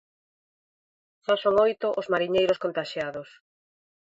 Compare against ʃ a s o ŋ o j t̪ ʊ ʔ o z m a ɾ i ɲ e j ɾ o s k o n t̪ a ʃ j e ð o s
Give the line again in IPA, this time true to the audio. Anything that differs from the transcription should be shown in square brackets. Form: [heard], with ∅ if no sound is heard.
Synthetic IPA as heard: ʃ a s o ŋ o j t̪ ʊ ʔ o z m a ɾ i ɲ e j ɾ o s k o n t̪ a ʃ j [a] ð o s